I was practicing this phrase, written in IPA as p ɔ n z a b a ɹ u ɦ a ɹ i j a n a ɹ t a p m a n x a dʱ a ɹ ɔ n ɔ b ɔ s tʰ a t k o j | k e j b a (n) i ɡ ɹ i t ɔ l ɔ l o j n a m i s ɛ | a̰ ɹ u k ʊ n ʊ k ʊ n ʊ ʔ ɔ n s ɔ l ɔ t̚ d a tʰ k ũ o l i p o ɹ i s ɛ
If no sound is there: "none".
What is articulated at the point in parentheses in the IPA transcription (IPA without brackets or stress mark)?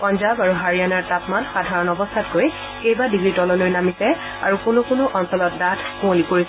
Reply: d